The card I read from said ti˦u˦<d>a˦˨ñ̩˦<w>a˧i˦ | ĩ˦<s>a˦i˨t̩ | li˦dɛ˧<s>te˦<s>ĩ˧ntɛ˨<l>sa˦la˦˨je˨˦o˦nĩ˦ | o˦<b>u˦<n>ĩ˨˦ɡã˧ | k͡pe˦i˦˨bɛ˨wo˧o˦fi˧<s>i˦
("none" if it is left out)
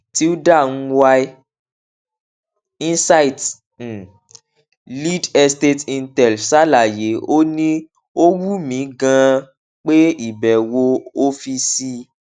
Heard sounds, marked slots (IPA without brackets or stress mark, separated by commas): d, w, s, s, t, l, w, m, s